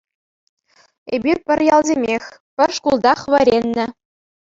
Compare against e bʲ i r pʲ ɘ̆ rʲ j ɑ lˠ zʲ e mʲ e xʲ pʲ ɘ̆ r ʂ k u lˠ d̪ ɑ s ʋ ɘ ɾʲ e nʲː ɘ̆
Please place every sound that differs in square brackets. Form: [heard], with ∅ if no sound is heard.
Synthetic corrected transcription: e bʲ i r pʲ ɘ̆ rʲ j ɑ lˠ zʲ e mʲ e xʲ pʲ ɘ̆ r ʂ k u lˠ d̪ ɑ [χ] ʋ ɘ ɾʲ e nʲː ɘ̆

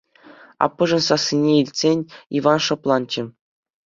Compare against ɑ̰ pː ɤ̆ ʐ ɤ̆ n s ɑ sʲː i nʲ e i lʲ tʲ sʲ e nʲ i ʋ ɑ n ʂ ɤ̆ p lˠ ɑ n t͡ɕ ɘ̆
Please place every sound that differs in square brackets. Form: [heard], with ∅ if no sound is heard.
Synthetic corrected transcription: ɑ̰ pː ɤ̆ ʐ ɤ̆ n s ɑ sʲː i nʲ e i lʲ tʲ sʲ e nʲ i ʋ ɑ n ʂ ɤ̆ p lˠ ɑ n t͡ɕ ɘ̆

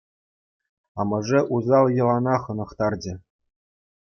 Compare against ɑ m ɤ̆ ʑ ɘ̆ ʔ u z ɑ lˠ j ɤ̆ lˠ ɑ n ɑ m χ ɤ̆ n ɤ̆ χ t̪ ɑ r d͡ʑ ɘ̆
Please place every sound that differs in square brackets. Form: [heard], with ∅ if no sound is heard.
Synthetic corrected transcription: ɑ m ɤ̆ [ʐ] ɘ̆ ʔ u z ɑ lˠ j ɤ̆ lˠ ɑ n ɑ [∅] χ ɤ̆ n ɤ̆ χ t̪ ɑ r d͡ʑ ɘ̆

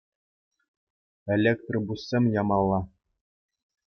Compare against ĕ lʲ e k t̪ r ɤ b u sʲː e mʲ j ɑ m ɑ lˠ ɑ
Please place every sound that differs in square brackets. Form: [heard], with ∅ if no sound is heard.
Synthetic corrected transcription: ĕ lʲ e k t̪ r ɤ b u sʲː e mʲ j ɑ m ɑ [lˠː] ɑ

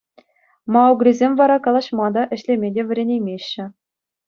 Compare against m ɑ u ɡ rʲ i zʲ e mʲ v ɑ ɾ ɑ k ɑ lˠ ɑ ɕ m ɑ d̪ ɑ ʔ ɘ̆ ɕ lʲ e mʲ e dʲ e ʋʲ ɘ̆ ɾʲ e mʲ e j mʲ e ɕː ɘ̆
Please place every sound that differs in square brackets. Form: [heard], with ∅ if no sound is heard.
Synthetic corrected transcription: m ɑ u ɡ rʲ i zʲ e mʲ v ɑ ɾ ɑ k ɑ lˠ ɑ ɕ m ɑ d̪ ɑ ʔ ɘ̆ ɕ lʲ e mʲ e dʲ e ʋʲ ɘ̆ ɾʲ e [nʲ] e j mʲ e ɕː ɘ̆

